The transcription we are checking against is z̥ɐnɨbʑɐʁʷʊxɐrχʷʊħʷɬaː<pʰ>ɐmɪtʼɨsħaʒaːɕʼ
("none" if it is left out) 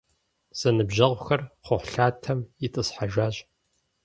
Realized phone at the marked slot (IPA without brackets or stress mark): tʰ